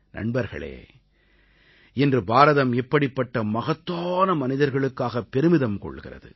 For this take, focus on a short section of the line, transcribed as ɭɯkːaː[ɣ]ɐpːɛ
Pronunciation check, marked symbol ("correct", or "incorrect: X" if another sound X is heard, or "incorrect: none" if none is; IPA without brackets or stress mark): correct